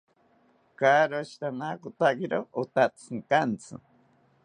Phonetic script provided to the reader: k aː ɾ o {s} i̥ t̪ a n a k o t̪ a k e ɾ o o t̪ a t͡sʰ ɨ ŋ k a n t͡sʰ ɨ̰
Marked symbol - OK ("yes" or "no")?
no